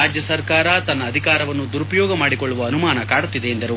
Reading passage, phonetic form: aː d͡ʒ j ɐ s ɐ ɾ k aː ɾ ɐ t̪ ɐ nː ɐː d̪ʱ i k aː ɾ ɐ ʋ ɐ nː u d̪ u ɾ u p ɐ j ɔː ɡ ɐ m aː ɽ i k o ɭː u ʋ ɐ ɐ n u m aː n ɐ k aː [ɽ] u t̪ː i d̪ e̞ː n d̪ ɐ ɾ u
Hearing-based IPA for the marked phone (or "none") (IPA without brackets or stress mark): ɽ